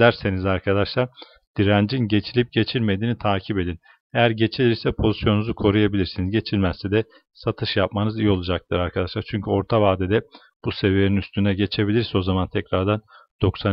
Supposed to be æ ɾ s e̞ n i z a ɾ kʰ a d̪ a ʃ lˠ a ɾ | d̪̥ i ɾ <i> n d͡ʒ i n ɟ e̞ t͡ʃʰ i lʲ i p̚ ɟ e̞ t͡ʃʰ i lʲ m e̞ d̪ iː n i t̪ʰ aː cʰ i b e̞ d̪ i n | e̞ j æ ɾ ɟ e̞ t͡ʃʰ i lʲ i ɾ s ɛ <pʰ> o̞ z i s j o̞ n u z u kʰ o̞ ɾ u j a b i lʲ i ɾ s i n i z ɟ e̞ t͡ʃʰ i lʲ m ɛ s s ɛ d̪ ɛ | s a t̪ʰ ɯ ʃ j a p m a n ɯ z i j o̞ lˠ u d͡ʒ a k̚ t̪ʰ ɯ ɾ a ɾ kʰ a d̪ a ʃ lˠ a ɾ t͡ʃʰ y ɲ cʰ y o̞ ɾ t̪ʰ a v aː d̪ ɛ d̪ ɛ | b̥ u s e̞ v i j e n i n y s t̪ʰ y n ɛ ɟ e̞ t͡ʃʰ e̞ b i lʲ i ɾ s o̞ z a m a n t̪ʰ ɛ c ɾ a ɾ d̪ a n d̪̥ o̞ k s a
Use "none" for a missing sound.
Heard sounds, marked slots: æ, pʰ

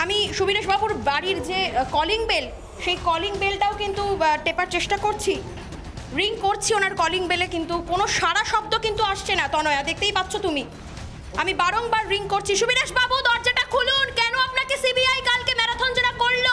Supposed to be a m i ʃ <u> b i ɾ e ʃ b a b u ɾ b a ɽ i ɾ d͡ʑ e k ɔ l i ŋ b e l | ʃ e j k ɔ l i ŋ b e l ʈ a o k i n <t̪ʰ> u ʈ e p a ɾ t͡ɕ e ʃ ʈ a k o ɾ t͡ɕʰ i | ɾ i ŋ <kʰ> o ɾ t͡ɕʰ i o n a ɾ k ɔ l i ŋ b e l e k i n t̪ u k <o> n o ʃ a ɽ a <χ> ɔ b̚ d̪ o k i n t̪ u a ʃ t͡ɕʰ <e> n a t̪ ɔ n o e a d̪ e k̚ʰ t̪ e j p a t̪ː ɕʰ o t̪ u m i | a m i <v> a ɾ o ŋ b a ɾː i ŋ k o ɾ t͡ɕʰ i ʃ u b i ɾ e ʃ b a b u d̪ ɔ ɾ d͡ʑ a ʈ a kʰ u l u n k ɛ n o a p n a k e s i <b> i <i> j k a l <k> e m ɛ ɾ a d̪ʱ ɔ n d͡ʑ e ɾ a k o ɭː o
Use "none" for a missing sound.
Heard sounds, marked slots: u, t̪, k, o, ʃ, e, b, b, a, k

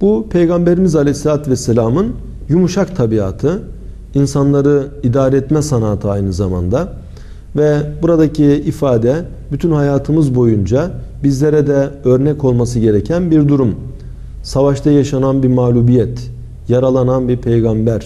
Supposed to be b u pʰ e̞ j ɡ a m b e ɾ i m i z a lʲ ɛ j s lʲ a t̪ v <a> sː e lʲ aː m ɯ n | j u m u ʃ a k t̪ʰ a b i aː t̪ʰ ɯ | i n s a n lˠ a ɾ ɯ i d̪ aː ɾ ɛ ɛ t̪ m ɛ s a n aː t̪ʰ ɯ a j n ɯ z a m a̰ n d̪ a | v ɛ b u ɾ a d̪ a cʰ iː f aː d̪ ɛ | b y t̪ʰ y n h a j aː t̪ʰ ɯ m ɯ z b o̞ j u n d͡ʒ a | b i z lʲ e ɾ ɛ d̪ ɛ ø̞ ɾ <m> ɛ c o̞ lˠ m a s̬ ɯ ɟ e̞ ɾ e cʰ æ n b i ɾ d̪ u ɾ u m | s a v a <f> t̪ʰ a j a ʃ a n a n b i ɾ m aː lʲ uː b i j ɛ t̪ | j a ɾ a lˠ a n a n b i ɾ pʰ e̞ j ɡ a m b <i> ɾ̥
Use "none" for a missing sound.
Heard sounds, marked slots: ɛ, n, ʃ, æ

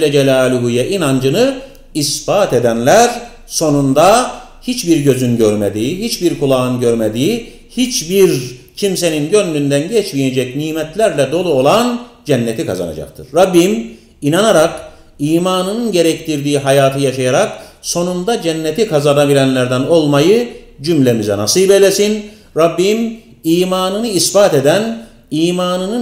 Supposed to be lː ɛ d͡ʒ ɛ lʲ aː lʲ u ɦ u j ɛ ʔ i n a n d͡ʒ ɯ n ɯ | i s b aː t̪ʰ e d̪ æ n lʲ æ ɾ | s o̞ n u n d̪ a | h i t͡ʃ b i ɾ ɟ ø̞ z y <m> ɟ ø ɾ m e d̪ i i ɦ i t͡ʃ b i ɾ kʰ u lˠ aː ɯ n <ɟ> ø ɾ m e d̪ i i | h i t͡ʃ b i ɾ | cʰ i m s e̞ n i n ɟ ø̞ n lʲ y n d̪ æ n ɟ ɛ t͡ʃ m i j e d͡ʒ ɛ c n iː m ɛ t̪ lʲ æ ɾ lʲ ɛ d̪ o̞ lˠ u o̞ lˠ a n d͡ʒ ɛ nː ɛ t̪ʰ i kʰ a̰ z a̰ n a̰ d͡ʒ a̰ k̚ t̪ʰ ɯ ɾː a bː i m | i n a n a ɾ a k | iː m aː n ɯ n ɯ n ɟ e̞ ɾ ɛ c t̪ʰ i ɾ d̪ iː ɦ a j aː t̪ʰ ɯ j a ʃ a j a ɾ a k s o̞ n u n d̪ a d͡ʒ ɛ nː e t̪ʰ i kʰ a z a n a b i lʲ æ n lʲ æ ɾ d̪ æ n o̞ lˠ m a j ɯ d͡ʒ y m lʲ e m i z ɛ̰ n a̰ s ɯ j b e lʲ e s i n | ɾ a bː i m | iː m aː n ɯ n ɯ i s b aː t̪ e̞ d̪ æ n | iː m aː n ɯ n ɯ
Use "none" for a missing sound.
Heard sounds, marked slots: n, ɟ

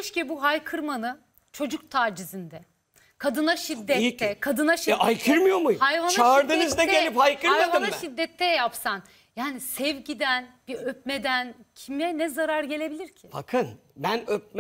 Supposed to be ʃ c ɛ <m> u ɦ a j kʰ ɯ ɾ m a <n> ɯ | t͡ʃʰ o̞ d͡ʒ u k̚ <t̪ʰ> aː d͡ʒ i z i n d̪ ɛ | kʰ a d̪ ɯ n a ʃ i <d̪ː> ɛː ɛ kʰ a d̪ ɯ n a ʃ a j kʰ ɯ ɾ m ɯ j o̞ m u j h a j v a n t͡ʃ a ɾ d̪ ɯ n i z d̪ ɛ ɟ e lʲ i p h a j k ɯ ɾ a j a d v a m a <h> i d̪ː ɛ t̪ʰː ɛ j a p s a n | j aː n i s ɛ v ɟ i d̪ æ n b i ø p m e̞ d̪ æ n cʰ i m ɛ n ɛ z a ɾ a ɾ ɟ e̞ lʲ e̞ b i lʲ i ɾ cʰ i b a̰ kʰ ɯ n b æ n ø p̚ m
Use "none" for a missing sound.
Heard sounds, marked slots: b, n, t̪ʰ, d̪ː, ʃ

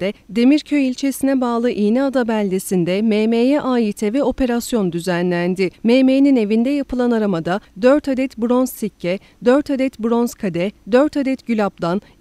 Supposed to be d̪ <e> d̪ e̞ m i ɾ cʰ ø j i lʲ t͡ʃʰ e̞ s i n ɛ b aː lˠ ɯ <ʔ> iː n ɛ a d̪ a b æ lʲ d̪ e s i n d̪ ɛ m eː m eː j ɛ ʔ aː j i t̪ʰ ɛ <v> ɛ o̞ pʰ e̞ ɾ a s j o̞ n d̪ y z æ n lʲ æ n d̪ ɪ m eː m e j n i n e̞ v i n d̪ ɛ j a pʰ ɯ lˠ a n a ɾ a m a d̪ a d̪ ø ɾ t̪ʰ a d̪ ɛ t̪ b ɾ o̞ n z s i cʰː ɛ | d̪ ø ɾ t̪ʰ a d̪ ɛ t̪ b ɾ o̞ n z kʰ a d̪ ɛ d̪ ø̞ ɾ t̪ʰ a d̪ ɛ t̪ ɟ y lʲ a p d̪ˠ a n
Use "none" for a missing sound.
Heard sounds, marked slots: ɛ, ʔ, v

